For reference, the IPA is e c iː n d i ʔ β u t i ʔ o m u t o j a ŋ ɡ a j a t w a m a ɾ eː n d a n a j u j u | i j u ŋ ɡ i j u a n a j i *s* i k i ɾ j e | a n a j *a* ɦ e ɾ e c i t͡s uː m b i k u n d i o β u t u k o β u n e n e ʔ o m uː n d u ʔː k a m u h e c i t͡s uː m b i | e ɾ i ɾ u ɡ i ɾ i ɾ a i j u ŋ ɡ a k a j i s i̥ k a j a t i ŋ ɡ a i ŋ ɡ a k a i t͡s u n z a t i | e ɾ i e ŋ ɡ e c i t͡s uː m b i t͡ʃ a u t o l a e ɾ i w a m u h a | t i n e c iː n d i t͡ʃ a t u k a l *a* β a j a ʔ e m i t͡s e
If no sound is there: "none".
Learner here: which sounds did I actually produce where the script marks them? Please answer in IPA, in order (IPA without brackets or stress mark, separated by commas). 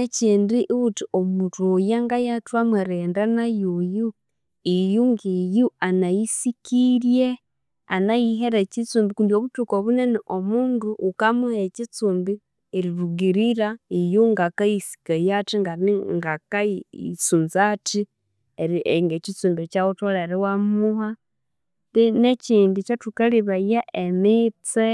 s, i, i